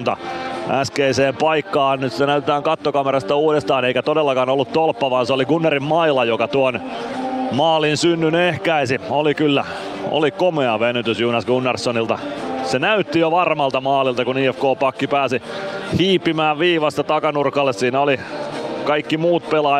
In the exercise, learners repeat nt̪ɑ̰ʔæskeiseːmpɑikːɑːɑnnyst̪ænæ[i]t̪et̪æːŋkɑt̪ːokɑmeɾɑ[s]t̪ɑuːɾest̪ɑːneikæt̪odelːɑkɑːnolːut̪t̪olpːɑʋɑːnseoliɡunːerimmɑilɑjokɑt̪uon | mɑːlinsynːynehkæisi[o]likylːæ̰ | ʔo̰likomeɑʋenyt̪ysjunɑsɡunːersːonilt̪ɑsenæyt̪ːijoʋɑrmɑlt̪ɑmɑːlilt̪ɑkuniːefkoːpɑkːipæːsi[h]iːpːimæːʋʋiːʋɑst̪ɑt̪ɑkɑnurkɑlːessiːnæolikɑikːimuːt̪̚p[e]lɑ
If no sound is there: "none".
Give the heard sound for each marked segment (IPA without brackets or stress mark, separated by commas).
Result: y, s, o, h, e